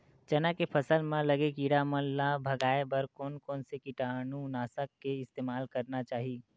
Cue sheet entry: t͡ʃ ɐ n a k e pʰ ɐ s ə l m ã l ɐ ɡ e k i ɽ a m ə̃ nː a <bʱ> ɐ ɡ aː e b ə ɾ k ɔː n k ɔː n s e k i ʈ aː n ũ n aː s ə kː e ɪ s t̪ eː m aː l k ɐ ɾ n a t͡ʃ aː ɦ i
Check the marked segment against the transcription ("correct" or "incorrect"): correct